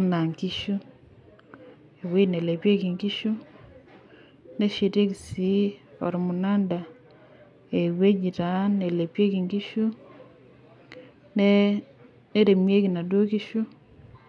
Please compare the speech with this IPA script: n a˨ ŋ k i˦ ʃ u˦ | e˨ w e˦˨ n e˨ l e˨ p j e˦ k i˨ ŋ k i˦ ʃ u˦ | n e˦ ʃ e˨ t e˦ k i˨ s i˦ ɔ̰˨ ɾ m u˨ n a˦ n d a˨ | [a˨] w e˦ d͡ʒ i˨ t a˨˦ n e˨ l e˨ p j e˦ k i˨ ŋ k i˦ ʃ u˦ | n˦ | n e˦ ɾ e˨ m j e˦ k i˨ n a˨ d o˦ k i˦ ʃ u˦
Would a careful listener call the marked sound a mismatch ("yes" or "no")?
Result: yes